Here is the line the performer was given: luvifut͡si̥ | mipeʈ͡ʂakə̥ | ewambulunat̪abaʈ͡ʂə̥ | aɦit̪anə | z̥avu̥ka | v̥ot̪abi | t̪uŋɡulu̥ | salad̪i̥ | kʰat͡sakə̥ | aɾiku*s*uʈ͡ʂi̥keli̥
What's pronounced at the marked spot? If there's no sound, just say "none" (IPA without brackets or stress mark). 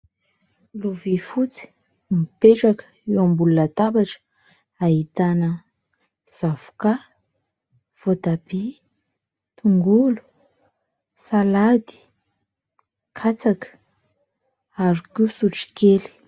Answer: s